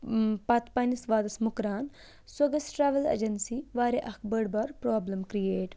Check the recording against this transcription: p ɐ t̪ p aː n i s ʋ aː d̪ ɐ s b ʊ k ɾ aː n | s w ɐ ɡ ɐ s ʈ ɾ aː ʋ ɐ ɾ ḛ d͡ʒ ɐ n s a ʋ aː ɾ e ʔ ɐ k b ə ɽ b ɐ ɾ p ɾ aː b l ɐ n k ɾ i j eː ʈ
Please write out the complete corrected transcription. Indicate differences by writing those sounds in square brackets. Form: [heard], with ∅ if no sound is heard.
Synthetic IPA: p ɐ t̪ p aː n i s ʋ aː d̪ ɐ s [m] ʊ k ɾ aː n | s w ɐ ɡ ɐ s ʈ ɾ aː ʋ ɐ [l] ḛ d͡ʒ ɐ n s [i] ʋ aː ɾ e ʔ ɐ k b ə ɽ b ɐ ɾ p ɾ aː b l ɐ [m] k ɾ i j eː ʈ